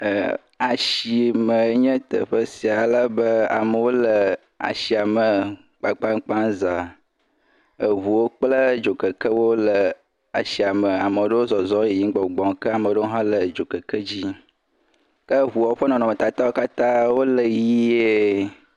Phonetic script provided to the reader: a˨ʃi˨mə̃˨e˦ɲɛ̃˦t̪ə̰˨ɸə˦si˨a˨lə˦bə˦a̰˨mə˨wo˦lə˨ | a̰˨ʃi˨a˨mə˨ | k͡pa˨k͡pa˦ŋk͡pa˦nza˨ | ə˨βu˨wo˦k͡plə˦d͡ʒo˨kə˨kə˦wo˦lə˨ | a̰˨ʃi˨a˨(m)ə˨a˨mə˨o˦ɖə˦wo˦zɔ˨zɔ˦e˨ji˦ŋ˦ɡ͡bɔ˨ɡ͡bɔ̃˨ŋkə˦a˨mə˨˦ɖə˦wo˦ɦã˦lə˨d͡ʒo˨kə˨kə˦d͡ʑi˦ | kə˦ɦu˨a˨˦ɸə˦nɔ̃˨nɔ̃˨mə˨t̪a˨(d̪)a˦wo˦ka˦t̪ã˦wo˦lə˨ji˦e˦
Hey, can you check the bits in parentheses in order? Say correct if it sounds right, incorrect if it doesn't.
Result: correct, incorrect: t̪

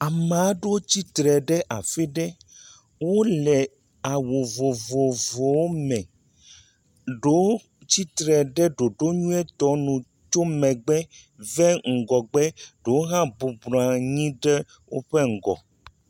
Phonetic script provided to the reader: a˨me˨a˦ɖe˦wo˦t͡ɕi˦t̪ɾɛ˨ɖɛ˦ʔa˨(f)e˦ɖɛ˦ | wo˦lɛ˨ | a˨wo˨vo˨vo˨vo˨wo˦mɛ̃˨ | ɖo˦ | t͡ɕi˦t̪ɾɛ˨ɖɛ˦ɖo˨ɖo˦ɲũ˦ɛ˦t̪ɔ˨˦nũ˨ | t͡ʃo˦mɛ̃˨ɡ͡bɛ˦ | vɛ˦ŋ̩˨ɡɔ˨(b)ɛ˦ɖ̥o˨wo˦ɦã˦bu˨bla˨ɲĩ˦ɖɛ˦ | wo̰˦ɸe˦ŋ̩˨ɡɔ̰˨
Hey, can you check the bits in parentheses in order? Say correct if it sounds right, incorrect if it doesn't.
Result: correct, incorrect: ɡ͡b

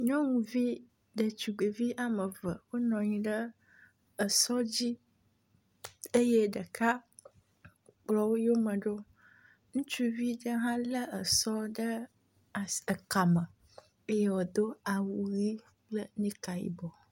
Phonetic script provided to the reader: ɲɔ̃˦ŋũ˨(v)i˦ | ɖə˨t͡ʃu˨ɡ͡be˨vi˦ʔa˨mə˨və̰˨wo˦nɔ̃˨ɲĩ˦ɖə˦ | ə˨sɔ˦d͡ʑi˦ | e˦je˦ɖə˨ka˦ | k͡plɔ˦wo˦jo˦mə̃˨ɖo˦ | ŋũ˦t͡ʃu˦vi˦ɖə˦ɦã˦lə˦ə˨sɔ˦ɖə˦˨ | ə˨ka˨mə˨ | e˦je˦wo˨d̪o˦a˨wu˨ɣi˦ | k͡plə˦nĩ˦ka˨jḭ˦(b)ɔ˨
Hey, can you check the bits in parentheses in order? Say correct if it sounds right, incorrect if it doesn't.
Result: correct, correct

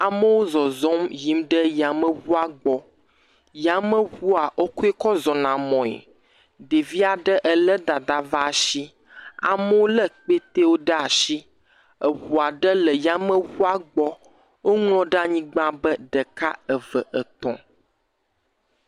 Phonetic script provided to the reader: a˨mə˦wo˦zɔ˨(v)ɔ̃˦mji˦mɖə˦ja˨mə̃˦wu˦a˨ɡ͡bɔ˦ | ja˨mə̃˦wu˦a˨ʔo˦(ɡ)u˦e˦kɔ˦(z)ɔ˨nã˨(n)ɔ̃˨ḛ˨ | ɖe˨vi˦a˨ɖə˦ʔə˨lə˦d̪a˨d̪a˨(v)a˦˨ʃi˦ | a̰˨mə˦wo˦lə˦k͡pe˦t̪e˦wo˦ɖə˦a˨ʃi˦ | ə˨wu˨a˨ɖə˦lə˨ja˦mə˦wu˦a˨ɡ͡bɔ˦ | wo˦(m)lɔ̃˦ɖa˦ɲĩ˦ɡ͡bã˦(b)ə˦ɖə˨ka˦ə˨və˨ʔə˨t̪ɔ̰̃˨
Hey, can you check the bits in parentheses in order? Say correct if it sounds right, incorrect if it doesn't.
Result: incorrect: z, incorrect: k, correct, incorrect: m, correct, incorrect: ŋ, correct

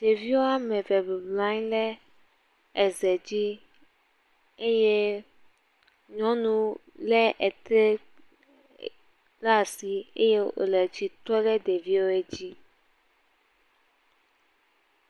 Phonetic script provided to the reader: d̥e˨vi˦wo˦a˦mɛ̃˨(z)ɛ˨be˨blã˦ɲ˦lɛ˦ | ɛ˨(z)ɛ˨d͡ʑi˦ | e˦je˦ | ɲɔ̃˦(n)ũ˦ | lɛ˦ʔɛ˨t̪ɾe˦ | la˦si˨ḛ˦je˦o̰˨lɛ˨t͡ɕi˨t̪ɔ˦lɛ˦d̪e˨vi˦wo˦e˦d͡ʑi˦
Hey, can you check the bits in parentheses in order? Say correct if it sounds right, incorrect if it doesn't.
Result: incorrect: v, correct, correct

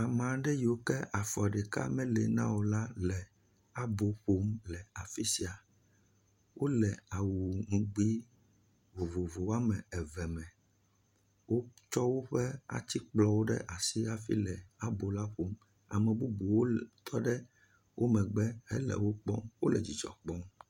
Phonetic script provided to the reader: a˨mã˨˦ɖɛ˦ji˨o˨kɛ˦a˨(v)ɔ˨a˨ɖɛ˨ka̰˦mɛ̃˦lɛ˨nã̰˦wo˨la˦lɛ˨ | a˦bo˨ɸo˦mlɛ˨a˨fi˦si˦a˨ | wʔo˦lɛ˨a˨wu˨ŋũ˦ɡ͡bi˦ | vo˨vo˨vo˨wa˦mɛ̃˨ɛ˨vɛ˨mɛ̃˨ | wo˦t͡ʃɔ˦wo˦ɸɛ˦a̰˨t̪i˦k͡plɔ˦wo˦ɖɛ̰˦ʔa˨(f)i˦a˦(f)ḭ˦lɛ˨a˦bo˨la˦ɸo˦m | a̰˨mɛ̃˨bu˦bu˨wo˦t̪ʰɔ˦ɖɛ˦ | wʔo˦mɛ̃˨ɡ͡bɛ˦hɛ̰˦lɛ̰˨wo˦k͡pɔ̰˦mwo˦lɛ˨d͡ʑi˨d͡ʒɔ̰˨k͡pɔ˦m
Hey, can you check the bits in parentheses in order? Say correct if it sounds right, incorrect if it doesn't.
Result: incorrect: f, incorrect: s, correct

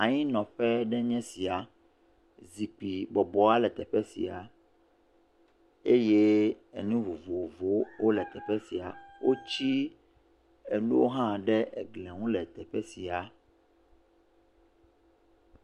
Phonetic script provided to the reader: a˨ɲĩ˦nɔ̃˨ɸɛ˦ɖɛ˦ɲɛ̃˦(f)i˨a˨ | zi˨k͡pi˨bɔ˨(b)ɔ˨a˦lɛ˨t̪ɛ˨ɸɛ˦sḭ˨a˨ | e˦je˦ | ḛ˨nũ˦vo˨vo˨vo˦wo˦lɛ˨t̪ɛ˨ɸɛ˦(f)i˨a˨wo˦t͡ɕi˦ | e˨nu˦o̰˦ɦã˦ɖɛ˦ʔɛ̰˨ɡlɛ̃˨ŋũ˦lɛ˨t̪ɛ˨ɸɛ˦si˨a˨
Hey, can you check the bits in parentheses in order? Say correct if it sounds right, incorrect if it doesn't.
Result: incorrect: s, correct, incorrect: s

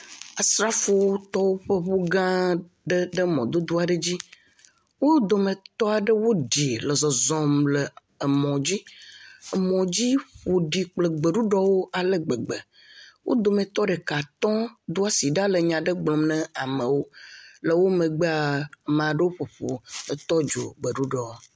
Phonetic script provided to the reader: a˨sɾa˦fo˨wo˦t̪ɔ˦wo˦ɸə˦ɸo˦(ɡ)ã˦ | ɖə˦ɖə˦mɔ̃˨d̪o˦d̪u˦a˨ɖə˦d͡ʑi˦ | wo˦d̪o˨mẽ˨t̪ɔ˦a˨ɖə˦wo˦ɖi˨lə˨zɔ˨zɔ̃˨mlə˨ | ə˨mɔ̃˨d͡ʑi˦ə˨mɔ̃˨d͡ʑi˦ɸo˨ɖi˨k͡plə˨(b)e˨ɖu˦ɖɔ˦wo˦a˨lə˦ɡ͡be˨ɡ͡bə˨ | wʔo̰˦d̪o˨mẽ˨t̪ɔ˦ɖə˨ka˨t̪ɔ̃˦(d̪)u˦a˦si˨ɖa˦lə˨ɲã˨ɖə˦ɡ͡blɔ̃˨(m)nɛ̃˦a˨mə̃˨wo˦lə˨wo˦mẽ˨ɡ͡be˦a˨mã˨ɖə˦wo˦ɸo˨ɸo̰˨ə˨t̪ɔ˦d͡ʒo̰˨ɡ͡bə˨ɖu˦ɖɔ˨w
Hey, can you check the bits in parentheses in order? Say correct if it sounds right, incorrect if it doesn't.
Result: correct, incorrect: ɡ͡b, correct, correct

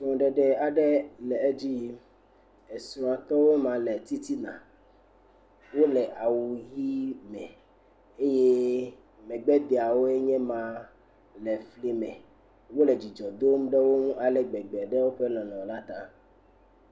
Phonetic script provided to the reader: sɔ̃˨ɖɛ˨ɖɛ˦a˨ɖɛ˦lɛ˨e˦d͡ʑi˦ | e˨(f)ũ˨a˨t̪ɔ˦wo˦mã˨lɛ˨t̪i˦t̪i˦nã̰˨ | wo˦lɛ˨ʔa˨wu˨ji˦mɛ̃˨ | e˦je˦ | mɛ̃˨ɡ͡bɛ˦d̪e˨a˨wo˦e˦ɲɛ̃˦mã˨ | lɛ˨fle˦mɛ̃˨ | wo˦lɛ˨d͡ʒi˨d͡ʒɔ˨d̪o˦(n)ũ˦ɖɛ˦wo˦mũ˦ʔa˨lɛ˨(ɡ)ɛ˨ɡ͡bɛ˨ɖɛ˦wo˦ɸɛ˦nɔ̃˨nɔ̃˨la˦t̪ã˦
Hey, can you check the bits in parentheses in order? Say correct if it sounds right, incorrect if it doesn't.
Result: incorrect: s, incorrect: m, incorrect: ɡ͡b

